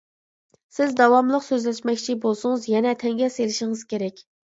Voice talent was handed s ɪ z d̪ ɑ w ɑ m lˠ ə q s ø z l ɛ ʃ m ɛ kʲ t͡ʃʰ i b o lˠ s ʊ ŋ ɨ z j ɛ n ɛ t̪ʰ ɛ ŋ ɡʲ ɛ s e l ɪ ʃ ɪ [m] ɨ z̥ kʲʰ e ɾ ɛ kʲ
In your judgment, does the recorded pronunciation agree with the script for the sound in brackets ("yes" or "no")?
no